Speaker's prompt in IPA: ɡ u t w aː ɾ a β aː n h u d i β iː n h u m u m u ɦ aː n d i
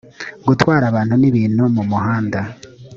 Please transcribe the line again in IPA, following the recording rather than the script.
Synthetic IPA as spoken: ɡ u t w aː ɾ a β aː n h u n i β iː n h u m u m u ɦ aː n d a